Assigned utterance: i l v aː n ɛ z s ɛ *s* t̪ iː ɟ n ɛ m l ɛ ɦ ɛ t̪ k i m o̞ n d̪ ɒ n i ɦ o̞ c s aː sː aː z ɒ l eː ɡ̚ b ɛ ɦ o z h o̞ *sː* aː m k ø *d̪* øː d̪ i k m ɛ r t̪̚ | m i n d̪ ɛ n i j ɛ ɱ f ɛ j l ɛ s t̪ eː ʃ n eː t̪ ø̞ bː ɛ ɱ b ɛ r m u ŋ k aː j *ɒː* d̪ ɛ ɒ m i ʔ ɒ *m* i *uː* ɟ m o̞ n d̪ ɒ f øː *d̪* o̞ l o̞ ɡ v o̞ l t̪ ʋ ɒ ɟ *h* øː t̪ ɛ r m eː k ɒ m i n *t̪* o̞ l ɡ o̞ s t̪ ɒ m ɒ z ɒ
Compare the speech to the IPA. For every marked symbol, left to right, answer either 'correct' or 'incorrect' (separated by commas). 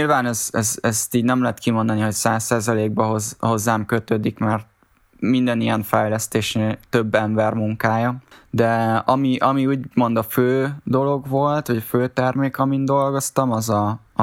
correct, incorrect, incorrect, incorrect, correct, correct, correct, incorrect, incorrect